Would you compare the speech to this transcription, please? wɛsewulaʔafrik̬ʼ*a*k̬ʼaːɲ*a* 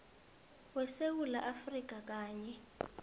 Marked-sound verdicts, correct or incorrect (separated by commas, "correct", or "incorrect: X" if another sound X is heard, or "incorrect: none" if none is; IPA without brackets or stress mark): correct, incorrect: ɛ